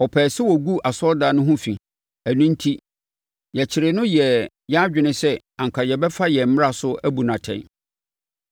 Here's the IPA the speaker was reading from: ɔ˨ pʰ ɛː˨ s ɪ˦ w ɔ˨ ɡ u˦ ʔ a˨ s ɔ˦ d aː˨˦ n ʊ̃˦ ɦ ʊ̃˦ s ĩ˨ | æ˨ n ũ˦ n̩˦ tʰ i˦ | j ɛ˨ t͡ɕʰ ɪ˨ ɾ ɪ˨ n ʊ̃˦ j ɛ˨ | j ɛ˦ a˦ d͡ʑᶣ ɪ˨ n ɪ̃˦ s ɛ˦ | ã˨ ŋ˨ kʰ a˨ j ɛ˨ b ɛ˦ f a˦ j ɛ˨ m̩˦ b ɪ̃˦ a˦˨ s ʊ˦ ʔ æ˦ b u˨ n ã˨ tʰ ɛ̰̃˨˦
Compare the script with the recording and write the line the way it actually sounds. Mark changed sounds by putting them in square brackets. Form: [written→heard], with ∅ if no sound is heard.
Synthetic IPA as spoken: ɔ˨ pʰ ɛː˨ s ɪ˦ w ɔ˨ ɡ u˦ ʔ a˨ s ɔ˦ d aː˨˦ n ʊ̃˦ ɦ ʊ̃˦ [s→f] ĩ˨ | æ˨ n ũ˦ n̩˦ tʰ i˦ | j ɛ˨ t͡ɕʰ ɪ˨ ɾ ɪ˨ n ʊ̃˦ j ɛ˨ | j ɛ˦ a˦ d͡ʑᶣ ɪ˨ n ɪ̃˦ s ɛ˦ | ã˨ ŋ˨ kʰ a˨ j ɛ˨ b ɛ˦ f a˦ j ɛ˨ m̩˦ [b→m] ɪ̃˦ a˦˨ s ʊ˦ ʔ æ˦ b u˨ n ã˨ tʰ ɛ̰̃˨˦